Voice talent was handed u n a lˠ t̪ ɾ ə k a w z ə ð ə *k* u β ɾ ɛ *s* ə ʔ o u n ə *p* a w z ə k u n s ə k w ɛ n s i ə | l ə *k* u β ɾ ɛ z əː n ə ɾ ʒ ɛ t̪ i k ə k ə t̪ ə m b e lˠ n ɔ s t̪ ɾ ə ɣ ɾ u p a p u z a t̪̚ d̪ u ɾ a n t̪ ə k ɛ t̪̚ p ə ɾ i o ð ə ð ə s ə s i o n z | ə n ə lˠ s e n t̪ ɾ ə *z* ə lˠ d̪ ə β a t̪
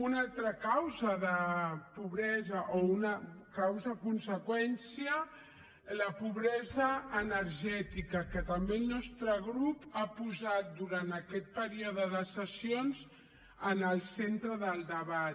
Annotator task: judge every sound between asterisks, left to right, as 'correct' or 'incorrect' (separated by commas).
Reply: incorrect, incorrect, incorrect, incorrect, incorrect